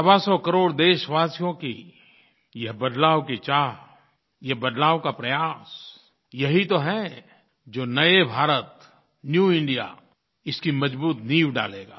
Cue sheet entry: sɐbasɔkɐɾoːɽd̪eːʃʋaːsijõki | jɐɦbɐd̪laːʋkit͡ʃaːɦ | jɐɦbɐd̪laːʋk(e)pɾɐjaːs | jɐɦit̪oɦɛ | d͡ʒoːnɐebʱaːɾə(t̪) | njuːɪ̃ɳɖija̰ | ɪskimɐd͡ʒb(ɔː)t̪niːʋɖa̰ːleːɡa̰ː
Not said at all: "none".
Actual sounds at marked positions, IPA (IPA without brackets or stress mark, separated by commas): a, t̪, uː